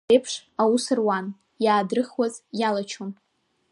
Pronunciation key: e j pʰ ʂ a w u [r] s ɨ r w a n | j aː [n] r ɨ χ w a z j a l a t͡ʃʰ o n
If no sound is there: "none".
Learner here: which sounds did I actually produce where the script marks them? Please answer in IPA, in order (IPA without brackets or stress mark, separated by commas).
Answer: none, d